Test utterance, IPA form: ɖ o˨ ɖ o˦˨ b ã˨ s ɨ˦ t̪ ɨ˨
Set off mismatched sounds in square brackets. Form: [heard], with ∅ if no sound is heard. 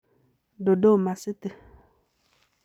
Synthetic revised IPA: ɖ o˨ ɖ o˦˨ [m] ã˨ s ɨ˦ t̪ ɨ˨